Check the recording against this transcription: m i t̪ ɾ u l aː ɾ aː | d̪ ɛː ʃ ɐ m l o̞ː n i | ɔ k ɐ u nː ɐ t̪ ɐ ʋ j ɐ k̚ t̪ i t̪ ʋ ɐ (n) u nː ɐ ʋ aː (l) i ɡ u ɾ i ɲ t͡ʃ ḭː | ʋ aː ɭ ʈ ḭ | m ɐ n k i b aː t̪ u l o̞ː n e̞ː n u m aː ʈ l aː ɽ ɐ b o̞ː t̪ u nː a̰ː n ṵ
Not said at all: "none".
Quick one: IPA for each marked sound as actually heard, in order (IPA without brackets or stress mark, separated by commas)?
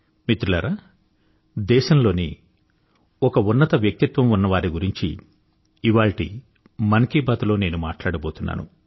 m, ɾ